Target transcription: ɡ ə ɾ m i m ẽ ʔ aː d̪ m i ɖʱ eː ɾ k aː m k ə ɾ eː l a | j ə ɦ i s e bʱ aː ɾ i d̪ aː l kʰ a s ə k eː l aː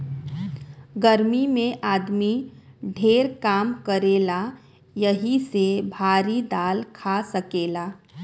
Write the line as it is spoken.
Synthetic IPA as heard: ɡ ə ɾ m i m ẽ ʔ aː d̪ m i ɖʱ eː ɾ k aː m k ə ɾ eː l a | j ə ɦ i s e bʱ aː ɾ i d̪ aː l kʰ a s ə k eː l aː